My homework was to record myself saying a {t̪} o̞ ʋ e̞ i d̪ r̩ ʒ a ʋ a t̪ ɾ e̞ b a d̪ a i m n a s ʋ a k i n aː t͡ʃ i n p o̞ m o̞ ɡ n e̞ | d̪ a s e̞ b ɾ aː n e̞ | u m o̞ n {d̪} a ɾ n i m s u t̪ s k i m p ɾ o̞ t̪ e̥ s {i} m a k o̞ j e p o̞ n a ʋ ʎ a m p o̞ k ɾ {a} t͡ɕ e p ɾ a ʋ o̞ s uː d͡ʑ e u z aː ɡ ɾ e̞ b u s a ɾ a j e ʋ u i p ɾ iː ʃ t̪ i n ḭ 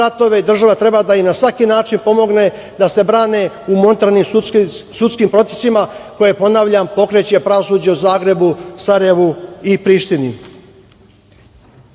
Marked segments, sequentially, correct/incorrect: correct, incorrect, correct, incorrect

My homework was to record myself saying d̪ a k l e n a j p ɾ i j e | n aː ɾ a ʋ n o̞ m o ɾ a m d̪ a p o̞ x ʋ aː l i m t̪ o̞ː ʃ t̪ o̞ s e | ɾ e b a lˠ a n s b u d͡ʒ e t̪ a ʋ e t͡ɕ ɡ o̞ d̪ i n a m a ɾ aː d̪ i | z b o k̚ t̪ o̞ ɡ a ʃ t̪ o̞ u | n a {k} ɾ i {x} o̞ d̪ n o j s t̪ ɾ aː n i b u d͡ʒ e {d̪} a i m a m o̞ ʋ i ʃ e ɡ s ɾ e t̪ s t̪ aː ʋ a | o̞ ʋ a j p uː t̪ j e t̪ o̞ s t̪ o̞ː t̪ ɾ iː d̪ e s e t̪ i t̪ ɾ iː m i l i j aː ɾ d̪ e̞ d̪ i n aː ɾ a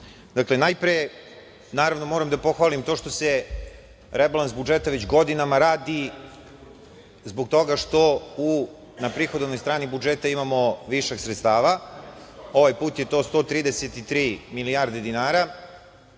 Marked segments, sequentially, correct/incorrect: incorrect, correct, incorrect

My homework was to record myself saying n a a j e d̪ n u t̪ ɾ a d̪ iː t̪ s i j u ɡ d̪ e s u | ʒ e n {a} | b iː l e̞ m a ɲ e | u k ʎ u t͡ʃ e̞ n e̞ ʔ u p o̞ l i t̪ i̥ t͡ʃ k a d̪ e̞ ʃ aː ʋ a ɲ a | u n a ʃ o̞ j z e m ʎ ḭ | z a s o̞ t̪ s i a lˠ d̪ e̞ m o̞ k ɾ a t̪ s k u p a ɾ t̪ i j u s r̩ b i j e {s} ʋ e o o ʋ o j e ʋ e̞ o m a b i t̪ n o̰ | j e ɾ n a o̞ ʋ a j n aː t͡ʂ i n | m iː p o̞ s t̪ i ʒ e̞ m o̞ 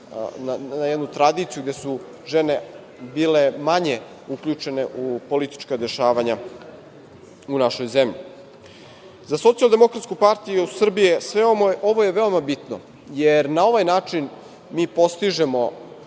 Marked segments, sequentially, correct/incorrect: incorrect, correct

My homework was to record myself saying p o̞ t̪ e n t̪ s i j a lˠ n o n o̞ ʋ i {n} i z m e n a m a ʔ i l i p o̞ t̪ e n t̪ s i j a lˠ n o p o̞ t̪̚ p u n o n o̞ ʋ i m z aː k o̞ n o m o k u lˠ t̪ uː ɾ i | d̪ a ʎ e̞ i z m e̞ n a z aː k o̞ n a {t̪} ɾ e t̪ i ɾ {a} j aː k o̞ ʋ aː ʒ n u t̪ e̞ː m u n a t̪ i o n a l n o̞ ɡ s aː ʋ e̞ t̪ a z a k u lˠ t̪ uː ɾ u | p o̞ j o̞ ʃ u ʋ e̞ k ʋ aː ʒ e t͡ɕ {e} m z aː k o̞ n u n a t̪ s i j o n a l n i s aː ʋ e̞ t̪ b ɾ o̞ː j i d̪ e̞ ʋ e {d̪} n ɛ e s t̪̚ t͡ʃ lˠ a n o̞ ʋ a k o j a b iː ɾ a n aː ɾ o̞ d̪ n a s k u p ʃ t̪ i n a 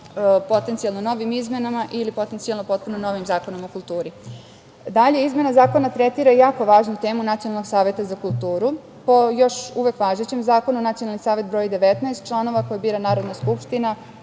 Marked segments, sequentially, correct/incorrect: incorrect, correct, correct, correct, incorrect

